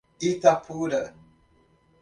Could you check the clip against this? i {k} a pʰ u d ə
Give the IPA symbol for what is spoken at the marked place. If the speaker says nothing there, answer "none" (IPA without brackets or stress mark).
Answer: t